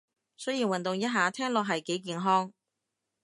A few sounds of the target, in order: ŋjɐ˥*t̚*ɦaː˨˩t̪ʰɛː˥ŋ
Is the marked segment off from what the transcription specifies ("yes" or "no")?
no